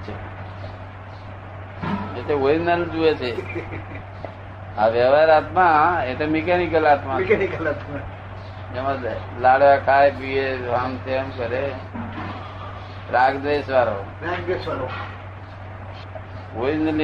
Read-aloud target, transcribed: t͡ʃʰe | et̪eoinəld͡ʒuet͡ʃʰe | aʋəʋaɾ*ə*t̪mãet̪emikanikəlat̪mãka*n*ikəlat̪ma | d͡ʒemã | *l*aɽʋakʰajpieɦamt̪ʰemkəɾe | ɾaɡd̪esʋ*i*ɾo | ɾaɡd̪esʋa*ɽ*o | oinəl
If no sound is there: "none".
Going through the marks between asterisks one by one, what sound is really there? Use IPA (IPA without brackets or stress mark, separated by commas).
a, n, l, a, ɾ